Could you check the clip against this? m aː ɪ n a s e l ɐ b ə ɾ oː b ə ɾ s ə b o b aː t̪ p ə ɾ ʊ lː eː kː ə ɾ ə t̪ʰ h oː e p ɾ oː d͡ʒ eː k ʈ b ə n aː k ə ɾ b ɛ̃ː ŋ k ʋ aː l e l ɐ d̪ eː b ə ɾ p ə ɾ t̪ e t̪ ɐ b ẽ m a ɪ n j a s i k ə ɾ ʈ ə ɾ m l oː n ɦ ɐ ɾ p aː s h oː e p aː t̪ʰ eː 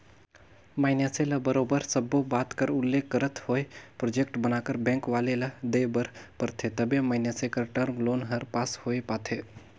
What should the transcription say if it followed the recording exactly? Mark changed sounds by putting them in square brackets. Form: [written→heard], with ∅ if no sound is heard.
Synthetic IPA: m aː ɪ n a s e l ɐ b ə ɾ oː b ə ɾ s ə b o b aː t̪ [p→k] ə ɾ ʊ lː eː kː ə ɾ ə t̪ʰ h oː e p ɾ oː d͡ʒ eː k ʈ b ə n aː k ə ɾ b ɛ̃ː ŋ k ʋ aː l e l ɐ d̪ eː b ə ɾ p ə ɾ [t̪→t̪ʰ] e t̪ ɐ b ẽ m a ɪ n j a s [i→e] k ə ɾ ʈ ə ɾ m l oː n ɦ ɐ ɾ p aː s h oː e p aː t̪ʰ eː